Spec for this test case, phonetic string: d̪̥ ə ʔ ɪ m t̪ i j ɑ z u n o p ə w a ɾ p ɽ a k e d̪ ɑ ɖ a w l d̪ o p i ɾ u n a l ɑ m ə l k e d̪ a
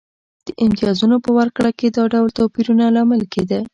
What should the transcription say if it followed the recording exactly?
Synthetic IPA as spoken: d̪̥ ə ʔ ɪ m t̪ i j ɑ z u n o p ə w a ɾ k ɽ a k e d̪ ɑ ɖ a w l t̪ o p i ɾ u n a l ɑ m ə l k e d̪ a